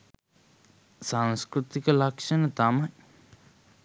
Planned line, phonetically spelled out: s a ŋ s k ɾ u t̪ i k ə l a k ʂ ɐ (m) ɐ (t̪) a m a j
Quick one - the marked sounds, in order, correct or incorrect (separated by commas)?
incorrect, correct